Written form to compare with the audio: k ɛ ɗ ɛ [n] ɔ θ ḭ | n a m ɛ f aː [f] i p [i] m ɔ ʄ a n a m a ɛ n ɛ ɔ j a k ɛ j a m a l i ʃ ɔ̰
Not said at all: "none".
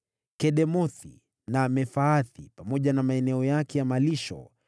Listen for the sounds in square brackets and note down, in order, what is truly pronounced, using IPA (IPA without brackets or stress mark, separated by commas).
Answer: m, θ, a